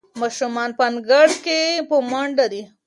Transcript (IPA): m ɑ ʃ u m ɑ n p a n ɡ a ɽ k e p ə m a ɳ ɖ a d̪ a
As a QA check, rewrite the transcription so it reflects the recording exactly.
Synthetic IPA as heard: m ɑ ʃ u m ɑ n p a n ɡ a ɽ k e p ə m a ɳ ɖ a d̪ i